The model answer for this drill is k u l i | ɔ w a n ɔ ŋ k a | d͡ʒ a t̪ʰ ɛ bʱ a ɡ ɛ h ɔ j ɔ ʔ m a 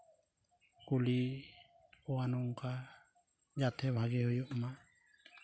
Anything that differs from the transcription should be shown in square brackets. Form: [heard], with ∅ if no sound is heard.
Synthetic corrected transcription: k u l i | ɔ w a n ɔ ŋ k a | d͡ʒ a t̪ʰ ɛ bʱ a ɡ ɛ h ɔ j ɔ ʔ m a

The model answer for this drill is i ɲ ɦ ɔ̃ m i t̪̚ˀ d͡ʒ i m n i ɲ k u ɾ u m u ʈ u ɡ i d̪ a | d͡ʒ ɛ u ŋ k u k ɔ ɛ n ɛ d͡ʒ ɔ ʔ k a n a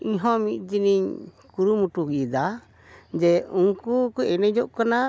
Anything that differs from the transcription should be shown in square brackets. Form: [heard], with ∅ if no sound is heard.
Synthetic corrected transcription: i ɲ ɦ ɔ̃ m i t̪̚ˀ d͡ʒ i [∅] n i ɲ k u ɾ u m u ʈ u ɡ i d̪ a | d͡ʒ ɛ u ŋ k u k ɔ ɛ n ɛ d͡ʒ ɔ ʔ k a n a

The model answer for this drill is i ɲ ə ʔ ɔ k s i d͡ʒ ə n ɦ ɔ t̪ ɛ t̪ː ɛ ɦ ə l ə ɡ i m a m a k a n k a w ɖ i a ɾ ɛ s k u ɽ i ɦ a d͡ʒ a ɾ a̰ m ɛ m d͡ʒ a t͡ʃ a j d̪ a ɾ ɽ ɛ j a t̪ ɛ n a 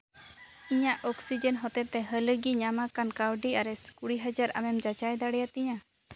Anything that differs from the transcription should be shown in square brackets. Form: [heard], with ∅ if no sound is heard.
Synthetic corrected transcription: i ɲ [a] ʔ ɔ k s i d͡ʒ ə n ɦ ɔ t̪ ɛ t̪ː ɛ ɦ ə l ə ɡ i [ɲ] a m a k a n k a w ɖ i a ɾ ɛ s k u ɽ i ɦ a d͡ʒ a ɾ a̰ m ɛ m d͡ʒ a t͡ʃ a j d̪ a [∅] ɽ ɛ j a t̪ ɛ [ɲ] a

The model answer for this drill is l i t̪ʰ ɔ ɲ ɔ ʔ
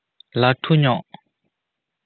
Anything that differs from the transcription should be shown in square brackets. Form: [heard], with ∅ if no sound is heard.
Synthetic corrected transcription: l [a] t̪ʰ [u] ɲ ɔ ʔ

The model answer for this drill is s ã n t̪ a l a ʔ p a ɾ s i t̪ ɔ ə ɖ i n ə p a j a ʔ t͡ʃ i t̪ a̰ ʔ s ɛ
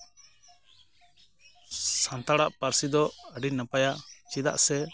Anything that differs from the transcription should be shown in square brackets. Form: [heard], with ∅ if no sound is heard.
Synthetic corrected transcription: s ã n t̪ a [ɽ] a ʔ p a ɾ s i [d̪] ɔ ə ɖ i n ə p a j a ʔ t͡ʃ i [d̪] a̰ ʔ s ɛ

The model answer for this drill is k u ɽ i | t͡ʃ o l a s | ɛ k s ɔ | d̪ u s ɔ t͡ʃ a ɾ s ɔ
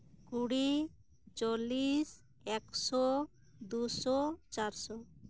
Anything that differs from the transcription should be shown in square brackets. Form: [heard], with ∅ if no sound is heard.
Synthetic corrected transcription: k u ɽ i | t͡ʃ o l [i] s | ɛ k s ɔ | d̪ u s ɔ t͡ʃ a ɾ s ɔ

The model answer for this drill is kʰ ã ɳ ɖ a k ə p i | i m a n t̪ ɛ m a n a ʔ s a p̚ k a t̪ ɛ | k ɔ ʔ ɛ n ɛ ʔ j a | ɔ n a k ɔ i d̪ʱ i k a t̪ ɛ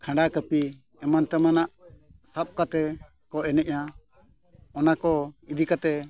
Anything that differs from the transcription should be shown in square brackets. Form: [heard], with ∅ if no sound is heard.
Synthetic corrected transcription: kʰ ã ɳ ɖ a k ə p i | [ɛ] m a n t̪ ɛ m a n a ʔ s a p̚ k a t̪ ɛ | k ɔ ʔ ɛ n ɛ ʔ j a | ɔ n a k ɔ i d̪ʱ i k a t̪ ɛ

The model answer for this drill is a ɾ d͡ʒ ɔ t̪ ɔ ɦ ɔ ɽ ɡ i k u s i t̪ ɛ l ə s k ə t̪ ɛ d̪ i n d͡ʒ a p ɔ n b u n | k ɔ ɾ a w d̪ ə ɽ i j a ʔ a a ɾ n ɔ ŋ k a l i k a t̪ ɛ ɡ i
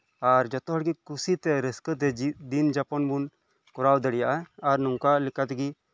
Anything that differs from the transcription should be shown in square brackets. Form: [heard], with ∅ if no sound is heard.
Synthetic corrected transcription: a ɾ d͡ʒ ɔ t̪ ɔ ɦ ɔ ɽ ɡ i k u s i t̪ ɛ [ɾ] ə s k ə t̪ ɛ d̪ i n d͡ʒ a p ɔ n b u n | k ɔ ɾ a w d̪ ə ɽ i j a ʔ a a ɾ n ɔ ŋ k a l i k a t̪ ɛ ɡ i

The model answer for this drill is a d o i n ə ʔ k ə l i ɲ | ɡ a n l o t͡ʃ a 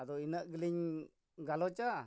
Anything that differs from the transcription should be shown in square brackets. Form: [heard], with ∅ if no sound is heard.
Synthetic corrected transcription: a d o i n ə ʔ [ɡ] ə l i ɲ | ɡ a [∅] l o t͡ʃ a

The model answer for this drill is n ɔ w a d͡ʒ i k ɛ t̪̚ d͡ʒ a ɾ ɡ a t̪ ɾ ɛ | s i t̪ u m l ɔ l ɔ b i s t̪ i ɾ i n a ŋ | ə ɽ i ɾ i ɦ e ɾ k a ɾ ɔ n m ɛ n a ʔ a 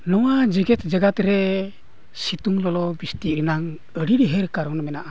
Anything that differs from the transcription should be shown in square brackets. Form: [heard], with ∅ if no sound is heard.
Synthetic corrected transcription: n ɔ w a d͡ʒ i [ɡ] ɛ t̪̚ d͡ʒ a [∅] ɡ a t̪ ɾ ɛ | s i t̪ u [ŋ] l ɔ l ɔ b i s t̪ i ɾ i n a ŋ | ə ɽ i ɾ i ɦ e ɾ k a ɾ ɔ n m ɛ n a ʔ a

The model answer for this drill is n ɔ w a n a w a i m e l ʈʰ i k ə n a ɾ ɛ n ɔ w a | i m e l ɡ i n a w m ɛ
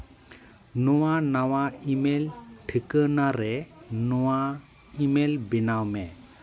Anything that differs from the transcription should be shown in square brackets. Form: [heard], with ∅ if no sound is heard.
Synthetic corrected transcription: n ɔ w a n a w a i m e l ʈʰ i k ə n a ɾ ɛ n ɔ w a | i m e l [b] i n a w m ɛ

